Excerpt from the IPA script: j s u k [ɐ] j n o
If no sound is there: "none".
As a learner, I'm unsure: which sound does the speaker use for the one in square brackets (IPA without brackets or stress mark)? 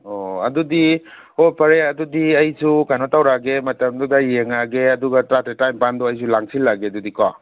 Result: a